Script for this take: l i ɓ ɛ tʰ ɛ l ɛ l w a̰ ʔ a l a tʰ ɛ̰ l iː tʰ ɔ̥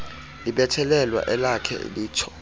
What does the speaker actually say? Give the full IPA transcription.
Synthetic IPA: l i ɓ ɛ tʰ ɛ l ɛ l w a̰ ʔ ɛ l a kʰ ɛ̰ l iː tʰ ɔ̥